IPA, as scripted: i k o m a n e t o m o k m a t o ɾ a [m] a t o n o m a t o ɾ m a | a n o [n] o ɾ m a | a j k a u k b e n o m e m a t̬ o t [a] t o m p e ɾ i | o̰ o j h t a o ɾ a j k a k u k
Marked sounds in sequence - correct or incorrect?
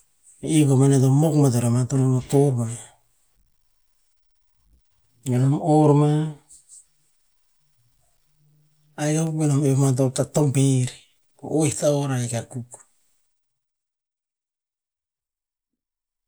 correct, incorrect, correct

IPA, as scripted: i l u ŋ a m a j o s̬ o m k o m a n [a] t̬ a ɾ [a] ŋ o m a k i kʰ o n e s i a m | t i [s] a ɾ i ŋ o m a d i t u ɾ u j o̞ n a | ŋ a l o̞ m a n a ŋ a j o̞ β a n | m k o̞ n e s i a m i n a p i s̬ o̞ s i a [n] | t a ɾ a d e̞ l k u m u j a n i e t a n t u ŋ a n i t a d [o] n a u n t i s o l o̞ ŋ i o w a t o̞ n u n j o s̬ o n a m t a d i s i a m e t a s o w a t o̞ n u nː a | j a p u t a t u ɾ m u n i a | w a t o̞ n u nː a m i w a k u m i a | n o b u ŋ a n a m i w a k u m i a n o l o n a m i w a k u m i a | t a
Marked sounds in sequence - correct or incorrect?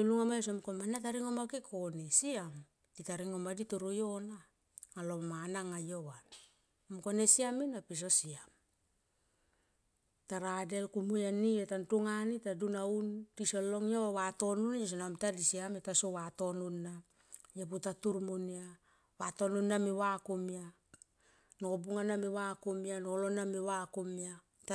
correct, incorrect, incorrect, incorrect, incorrect

